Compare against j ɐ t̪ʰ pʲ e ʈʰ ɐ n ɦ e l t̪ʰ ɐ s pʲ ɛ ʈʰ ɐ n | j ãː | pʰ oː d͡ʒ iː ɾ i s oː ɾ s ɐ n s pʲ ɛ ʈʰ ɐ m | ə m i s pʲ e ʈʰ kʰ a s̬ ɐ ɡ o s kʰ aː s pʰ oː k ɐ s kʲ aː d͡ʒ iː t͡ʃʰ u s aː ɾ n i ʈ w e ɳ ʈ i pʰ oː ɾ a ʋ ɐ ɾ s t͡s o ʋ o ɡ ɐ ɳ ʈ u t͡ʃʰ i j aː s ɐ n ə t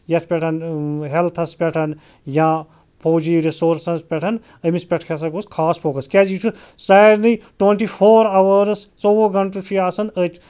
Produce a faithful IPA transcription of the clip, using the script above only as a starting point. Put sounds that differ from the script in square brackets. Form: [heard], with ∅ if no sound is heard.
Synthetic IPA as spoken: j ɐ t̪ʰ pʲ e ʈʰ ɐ n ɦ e l t̪ʰ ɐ s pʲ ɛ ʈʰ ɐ n | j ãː | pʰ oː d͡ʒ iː ɾ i s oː ɾ s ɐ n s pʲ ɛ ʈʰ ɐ [n] | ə m i s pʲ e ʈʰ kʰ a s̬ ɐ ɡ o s kʰ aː s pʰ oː k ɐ s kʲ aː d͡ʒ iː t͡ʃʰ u s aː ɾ n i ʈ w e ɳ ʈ i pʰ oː ɾ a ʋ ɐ ɾ s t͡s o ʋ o ɡ ɐ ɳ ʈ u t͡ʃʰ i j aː s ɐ n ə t